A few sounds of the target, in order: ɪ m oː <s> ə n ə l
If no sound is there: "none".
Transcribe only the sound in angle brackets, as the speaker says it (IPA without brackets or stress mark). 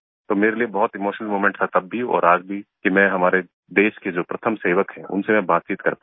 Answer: ʃ